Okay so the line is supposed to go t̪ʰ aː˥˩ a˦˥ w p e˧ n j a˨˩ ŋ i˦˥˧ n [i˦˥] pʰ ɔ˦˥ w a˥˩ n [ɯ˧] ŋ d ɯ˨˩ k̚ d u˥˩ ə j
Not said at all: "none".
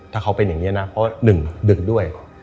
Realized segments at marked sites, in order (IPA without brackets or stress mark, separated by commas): a˦˥, ɯ˨˩